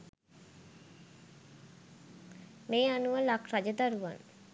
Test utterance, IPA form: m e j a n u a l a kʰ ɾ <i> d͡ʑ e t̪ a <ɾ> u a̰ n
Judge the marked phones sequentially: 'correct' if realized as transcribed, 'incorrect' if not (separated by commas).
incorrect, correct